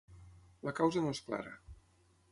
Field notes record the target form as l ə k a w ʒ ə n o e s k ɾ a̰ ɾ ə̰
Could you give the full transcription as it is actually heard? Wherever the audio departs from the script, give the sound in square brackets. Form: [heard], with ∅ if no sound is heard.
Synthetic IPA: l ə k a w [z] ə n o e s k [l] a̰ ɾ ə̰